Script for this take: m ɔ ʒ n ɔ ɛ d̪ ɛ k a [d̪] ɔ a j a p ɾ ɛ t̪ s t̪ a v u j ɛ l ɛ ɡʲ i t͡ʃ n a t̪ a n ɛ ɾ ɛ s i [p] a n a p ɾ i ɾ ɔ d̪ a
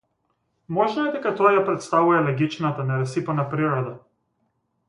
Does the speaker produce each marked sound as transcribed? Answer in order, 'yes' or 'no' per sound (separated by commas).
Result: no, yes